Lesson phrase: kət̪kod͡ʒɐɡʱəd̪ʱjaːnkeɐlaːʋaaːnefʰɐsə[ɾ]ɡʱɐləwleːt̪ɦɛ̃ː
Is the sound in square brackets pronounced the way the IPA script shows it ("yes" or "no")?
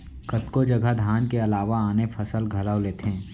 no